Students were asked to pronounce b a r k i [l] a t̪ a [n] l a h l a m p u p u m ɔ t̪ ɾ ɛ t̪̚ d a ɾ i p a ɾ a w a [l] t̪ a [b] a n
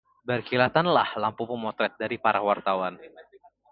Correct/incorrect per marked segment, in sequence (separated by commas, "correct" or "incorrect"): correct, correct, incorrect, incorrect